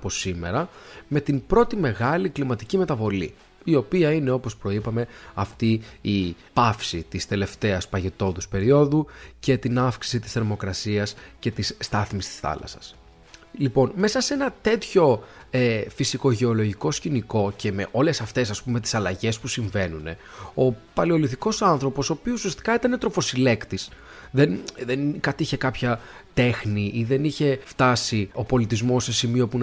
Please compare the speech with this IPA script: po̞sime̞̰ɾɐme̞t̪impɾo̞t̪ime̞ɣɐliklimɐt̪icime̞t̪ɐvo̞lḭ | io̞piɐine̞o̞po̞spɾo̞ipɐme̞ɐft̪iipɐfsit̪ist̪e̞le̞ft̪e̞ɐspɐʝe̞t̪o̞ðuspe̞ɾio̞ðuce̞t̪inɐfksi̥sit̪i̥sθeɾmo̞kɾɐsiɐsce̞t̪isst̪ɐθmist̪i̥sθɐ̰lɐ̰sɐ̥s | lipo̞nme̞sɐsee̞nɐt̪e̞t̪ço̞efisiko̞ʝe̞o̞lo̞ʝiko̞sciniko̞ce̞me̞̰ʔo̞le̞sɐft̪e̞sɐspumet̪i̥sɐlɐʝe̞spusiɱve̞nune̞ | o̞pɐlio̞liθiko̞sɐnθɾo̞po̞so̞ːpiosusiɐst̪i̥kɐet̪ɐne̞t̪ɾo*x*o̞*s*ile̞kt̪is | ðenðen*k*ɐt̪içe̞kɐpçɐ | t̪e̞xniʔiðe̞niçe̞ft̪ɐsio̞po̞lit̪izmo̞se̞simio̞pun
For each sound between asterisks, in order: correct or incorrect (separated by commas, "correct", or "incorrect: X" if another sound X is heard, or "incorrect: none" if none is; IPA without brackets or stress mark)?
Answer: incorrect: f, correct, correct